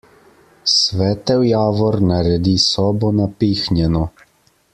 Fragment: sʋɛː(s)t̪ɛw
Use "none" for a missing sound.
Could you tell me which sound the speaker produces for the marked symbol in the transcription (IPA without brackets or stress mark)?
none